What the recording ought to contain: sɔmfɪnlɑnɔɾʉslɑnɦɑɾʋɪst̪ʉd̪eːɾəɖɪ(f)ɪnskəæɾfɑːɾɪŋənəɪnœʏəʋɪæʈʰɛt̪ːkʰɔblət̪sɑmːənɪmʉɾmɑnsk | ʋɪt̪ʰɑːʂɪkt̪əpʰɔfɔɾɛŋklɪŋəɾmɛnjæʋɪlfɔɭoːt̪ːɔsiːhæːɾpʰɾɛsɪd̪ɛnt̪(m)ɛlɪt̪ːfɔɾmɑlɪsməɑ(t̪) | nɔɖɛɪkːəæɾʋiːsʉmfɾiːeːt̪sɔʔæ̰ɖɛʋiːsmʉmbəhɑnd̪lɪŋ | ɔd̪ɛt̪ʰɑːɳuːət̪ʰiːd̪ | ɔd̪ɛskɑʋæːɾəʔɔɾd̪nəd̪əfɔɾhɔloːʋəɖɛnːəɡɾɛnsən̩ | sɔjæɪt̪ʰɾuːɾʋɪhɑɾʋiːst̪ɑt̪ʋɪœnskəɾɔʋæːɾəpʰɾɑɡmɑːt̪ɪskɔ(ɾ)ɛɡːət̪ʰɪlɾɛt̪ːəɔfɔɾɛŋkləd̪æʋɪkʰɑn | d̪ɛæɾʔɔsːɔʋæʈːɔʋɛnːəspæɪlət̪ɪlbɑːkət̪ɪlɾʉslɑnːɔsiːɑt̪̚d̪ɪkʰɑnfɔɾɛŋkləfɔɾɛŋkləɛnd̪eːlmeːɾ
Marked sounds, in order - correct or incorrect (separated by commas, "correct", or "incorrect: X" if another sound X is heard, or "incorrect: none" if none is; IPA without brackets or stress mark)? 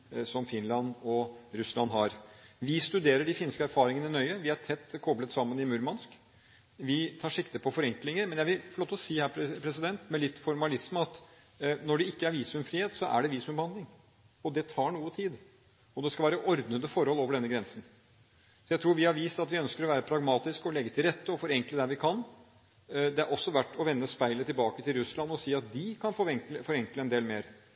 correct, correct, correct, incorrect: l